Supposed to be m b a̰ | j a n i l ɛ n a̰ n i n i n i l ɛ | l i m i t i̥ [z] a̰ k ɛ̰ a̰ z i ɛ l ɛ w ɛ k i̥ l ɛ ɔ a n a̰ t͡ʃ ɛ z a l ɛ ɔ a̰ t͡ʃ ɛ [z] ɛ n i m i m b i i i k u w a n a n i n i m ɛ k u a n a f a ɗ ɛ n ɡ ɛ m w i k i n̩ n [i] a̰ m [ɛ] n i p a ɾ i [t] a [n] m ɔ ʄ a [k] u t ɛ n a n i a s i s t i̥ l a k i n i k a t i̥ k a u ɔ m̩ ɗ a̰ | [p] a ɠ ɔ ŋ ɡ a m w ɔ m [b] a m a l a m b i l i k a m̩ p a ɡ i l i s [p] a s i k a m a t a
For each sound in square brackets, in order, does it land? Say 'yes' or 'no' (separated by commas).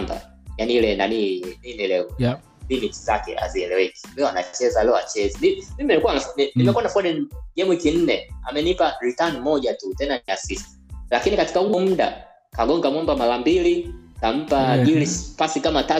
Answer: yes, yes, no, yes, yes, yes, no, no, yes, yes